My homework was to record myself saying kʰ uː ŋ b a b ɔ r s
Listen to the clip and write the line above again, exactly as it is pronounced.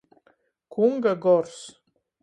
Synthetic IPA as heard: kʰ u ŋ ɡ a ɡ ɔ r s